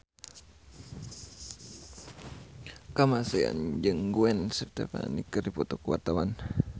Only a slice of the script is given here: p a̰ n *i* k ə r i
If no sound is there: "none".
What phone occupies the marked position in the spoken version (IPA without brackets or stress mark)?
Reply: i